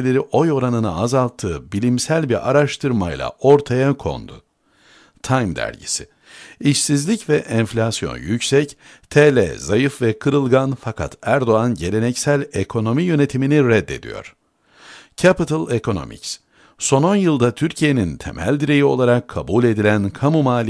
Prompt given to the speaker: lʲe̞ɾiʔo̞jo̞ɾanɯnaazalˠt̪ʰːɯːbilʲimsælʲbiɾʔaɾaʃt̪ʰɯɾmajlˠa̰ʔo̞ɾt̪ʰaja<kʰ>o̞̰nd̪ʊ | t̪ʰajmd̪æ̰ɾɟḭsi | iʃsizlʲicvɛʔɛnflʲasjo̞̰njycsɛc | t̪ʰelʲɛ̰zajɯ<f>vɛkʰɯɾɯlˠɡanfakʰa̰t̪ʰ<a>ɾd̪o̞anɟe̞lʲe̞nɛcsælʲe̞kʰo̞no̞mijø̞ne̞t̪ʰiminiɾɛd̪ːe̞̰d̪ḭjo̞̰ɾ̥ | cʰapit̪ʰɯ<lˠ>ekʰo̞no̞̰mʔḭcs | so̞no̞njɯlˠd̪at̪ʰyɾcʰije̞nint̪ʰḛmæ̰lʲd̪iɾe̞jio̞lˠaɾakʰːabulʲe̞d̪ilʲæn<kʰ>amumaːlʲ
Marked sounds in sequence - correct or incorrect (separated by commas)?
correct, correct, incorrect, correct, correct